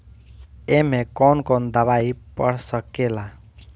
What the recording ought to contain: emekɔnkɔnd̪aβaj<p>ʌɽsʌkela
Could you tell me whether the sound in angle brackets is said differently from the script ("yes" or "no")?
no